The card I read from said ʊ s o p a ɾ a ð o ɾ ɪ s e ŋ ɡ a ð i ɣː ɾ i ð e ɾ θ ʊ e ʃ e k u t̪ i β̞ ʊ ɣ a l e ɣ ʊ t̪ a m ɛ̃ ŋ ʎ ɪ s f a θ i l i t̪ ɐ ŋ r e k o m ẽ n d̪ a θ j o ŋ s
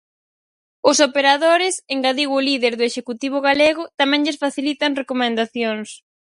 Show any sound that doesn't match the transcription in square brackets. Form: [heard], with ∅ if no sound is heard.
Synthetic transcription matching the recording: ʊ s o p [e] ɾ a ð o ɾ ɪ s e ŋ ɡ a ð i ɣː [l] i ð e ɾ [ð] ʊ e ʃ e k u t̪ i β̞ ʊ ɣ a l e ɣ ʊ t̪ a m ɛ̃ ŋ ʎ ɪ s f a θ i l i t̪ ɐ ŋ r e k o m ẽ n d̪ a θ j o ŋ s